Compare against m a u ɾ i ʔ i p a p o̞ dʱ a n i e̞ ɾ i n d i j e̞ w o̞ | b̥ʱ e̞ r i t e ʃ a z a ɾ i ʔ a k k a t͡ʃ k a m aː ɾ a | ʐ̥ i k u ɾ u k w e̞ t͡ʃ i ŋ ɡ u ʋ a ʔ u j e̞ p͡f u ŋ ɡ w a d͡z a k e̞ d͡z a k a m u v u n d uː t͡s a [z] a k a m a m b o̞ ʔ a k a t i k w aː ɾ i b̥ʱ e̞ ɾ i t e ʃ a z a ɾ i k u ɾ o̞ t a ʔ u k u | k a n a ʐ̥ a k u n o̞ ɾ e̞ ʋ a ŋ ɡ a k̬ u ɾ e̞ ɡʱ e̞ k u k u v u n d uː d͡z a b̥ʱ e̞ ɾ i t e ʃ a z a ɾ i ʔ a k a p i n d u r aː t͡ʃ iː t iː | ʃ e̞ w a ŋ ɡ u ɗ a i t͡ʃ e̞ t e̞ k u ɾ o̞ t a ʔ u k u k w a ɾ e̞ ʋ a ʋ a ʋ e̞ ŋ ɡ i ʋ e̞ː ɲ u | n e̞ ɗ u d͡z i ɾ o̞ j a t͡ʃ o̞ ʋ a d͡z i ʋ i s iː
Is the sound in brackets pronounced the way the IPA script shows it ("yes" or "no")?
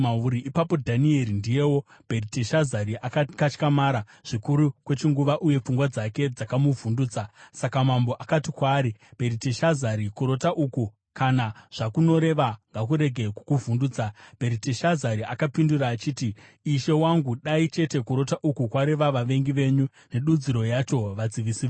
no